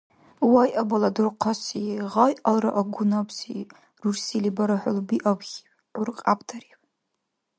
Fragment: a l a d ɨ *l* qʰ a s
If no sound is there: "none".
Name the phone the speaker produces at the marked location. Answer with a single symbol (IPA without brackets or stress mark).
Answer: r